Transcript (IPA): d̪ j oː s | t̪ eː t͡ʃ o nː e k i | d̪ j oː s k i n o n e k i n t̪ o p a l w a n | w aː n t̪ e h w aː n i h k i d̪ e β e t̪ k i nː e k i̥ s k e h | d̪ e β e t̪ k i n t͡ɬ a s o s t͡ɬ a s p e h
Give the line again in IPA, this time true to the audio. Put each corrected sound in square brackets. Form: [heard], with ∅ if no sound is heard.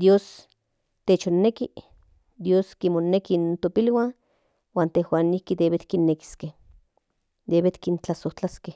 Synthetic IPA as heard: d̪ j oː s | t̪ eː t͡ʃ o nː e k i | d̪ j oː s k i [m] o n e k i n t̪ o p [i] l w a n | w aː n t̪ e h w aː n i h k i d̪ e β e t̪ k i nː e k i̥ s k e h | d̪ e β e t̪ k i n t͡ɬ a s o [h] t͡ɬ a s [k] e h